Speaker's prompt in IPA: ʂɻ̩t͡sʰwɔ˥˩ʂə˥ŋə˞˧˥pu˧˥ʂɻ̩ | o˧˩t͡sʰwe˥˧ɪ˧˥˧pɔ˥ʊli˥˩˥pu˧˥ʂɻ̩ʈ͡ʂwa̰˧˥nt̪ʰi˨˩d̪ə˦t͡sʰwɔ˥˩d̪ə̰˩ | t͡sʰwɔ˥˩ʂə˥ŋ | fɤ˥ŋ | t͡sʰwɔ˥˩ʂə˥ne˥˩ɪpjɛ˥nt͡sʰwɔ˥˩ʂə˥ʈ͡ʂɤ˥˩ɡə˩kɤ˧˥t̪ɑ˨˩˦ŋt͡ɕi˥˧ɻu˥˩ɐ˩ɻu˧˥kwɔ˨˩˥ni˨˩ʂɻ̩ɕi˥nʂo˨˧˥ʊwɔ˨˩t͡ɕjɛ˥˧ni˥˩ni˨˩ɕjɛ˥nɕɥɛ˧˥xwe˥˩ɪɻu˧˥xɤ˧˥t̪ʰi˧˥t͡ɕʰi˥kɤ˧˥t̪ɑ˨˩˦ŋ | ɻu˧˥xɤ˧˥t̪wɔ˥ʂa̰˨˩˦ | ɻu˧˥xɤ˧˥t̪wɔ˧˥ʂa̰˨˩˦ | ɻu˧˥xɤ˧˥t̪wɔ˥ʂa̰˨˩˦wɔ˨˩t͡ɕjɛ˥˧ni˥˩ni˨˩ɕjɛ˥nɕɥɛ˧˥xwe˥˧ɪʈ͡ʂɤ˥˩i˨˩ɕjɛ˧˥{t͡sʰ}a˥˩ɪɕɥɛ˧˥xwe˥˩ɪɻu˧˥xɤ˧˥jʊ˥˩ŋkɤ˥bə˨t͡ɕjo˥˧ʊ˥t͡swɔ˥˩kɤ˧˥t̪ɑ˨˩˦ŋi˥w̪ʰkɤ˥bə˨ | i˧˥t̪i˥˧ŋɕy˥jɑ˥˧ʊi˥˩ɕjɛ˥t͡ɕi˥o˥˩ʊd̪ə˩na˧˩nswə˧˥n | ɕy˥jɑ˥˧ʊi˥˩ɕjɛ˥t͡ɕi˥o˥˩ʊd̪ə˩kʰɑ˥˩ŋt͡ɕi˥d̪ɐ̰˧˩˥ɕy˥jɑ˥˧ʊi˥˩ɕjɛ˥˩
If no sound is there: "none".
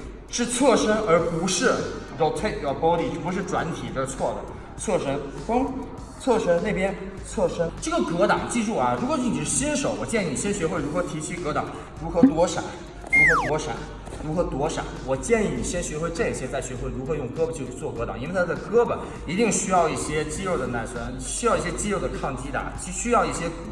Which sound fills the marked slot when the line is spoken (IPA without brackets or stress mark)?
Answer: t͡s